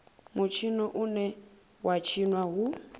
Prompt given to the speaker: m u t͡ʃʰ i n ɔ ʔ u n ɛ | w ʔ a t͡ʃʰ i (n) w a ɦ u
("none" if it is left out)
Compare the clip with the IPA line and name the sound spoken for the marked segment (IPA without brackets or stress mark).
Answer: n